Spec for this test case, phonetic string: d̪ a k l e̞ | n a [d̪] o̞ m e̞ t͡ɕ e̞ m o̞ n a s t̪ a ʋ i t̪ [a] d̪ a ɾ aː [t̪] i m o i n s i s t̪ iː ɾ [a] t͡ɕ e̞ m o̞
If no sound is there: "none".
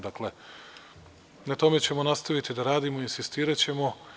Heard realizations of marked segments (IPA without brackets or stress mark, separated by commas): t̪, i, d̪, a